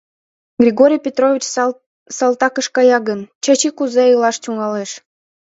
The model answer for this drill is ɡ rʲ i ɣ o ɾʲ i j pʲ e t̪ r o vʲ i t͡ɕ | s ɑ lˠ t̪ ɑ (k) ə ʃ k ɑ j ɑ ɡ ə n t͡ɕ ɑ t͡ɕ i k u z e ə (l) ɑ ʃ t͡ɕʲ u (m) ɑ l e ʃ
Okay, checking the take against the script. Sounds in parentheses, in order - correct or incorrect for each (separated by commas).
correct, correct, incorrect